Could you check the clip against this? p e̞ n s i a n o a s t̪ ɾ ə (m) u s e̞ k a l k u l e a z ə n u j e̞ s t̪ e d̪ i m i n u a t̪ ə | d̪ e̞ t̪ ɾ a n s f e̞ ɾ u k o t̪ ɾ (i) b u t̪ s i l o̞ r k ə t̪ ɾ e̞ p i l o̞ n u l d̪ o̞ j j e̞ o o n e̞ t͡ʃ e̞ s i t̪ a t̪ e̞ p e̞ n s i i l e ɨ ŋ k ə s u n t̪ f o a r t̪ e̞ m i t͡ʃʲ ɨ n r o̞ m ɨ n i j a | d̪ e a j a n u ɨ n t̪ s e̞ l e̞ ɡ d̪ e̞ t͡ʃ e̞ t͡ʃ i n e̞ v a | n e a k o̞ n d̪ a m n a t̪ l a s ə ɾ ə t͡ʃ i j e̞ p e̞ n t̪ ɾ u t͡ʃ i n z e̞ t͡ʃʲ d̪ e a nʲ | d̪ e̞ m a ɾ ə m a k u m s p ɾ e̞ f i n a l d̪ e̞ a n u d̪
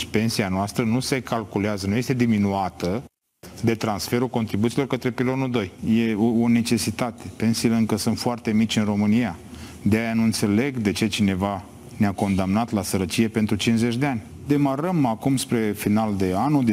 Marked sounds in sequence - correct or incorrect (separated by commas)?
incorrect, correct